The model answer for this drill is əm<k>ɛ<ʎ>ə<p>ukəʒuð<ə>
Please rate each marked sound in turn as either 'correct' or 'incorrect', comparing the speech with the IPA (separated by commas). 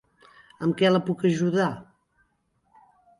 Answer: correct, incorrect, correct, incorrect